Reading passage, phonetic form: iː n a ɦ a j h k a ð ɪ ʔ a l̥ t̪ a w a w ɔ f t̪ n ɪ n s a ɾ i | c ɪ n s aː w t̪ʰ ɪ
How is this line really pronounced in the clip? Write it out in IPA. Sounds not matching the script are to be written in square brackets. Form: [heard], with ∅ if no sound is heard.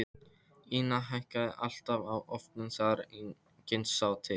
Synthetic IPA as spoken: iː n a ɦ a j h k a ð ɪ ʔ a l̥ t̪ a [v] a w ɔ f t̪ n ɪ n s a ɾ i | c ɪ n s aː w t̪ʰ ɪ